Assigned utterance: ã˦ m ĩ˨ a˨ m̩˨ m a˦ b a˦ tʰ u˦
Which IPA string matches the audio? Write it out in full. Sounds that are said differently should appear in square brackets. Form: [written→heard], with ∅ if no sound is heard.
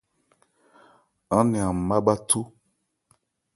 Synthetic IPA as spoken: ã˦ [m→n] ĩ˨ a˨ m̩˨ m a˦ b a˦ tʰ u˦

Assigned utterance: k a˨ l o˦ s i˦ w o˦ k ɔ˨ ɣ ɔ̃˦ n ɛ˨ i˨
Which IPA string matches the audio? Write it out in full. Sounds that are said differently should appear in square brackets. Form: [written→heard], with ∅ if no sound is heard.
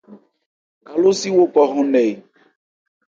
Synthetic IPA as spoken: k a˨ l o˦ s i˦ w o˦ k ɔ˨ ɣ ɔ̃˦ n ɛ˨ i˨

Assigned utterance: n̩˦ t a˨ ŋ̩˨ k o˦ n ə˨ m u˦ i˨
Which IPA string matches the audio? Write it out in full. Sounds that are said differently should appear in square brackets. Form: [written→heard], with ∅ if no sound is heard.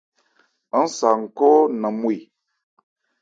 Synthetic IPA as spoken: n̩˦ [t→s] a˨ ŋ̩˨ k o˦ n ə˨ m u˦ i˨

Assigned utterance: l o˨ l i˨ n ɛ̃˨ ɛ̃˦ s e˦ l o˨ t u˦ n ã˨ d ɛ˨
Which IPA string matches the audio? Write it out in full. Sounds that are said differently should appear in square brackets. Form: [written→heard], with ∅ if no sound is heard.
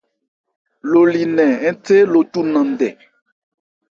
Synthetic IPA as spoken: l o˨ l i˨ n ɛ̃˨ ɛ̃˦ [s→t] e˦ l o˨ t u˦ n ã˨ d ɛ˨

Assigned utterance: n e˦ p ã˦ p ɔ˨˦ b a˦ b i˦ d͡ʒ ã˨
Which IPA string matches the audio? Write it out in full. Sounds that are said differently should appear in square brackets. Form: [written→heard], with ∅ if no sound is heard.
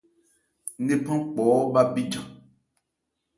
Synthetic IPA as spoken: n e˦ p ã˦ [p→k͡p] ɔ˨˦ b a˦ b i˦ d͡ʒ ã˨

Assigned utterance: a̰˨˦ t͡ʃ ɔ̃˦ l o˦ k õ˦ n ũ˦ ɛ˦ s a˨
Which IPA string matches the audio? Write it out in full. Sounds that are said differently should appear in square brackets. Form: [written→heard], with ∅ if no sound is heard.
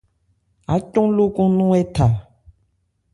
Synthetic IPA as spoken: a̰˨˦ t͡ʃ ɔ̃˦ l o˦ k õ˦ n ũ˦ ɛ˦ [s→t] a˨

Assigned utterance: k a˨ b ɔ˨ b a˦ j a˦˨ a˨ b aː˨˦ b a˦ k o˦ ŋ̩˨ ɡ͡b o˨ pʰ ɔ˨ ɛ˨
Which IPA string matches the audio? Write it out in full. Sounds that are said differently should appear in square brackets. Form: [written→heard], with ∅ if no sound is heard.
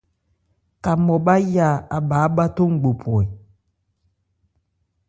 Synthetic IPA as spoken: k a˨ [b→m] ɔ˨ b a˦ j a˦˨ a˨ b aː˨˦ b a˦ [k→t] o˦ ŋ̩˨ ɡ͡b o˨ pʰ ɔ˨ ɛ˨

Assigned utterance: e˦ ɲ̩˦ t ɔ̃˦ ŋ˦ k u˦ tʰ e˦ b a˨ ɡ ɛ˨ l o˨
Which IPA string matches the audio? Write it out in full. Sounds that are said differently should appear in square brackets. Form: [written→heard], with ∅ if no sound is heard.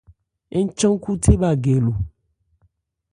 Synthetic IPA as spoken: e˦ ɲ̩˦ [t→t͡ʃ] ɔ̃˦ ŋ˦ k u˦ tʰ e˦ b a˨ ɡ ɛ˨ l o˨

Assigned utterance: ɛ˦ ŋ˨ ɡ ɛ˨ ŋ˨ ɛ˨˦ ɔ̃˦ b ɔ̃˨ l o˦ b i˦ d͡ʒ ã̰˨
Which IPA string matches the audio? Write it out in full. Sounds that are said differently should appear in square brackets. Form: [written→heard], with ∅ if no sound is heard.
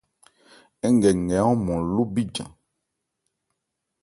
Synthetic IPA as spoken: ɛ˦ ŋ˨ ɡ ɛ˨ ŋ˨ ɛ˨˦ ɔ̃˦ [b→m] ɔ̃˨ l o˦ b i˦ d͡ʒ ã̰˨

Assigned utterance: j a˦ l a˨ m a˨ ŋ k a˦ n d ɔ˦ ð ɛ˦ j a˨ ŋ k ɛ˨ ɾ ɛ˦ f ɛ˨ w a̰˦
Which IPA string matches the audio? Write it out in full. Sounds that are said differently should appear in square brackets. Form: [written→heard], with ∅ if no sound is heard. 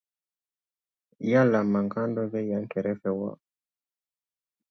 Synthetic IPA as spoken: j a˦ l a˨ m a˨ ŋ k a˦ n d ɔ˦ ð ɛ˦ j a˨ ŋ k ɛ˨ ɾ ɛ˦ f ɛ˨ w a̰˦

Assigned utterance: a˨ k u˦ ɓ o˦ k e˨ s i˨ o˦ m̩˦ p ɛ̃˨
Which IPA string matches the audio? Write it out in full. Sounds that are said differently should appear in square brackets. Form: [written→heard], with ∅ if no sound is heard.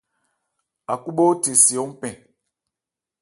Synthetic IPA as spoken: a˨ k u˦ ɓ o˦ [k→t] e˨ s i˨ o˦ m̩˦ p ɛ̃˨

